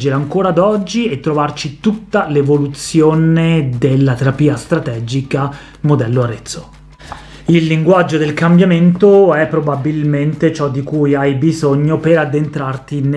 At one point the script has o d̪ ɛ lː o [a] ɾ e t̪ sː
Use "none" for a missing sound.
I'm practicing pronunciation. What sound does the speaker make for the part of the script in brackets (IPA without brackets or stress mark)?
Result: a